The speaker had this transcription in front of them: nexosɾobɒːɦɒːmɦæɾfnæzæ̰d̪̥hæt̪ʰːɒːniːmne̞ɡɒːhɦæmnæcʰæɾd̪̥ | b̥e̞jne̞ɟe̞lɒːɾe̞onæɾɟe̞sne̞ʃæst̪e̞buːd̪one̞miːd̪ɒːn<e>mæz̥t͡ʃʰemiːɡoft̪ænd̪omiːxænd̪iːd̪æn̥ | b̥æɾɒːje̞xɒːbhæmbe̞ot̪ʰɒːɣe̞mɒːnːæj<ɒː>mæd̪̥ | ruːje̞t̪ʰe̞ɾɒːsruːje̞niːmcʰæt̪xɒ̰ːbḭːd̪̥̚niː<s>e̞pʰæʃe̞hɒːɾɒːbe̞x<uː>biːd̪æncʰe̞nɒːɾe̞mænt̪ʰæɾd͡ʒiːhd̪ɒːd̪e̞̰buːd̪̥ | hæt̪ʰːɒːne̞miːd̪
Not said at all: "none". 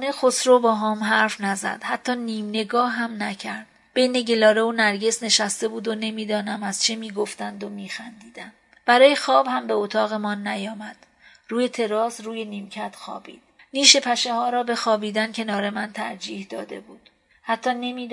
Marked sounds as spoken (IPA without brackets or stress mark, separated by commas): æ, ɒː, ʃ, ɒː